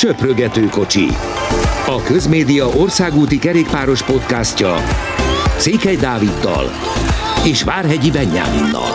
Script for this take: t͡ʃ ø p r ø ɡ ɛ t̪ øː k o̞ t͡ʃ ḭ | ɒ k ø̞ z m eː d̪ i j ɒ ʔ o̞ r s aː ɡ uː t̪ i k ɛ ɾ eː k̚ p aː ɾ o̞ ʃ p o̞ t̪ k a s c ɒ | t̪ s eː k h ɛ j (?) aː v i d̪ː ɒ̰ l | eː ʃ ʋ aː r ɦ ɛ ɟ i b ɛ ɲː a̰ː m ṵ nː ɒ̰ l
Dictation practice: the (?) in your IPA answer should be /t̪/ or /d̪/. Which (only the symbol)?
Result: d̪